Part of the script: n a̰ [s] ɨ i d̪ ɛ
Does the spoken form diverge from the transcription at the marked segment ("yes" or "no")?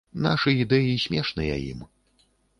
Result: yes